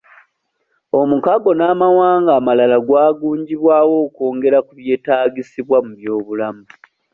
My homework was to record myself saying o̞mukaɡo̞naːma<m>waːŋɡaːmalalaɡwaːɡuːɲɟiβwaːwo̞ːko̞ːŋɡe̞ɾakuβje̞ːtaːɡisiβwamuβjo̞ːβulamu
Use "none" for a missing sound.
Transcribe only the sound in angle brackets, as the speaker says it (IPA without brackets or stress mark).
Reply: none